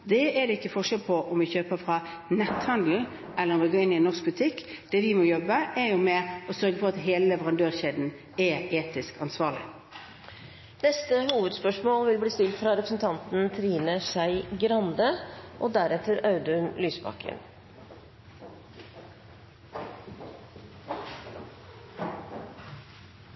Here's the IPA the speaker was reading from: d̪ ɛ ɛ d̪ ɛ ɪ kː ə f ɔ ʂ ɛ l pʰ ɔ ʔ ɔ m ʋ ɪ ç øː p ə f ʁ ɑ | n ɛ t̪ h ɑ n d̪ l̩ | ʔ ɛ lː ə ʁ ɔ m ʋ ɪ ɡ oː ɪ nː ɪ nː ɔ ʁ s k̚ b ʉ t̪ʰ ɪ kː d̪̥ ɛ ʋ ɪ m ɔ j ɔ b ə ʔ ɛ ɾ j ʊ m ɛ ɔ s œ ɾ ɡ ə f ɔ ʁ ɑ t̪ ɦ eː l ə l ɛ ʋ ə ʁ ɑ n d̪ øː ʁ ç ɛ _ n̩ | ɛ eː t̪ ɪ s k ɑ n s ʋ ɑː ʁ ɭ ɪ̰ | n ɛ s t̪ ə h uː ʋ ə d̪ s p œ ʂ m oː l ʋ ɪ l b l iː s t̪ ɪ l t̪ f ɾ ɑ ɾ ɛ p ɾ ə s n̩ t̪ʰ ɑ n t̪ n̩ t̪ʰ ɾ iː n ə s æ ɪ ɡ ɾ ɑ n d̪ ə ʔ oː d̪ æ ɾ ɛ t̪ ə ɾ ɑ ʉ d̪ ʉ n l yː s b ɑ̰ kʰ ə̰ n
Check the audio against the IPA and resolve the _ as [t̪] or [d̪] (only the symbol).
d̪